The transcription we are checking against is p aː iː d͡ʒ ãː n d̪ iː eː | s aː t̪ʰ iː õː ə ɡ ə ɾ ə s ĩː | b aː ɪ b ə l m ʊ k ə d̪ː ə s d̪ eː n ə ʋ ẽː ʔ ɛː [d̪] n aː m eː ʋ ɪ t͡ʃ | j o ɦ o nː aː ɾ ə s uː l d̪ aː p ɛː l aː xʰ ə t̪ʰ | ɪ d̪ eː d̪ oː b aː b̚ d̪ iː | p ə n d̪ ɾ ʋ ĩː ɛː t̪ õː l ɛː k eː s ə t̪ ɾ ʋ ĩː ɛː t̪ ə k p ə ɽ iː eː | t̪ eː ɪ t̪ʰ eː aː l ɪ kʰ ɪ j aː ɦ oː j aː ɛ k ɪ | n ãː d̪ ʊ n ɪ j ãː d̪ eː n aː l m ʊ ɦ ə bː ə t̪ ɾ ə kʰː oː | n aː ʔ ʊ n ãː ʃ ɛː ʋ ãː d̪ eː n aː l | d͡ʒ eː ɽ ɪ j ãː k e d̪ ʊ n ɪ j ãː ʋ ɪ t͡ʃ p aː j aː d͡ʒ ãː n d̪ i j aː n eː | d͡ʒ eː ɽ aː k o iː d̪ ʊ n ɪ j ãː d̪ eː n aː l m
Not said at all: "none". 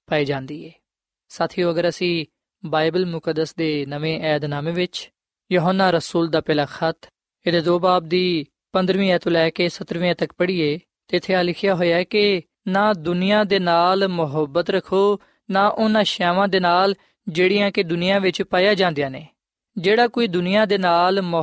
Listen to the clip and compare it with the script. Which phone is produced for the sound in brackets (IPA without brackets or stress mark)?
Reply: d̪